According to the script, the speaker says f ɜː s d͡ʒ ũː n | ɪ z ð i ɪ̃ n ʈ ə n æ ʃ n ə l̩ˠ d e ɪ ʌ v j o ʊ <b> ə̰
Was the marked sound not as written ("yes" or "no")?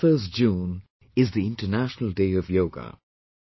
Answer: yes